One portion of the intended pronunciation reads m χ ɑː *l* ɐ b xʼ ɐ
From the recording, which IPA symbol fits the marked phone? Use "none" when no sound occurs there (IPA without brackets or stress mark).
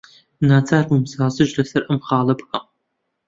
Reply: l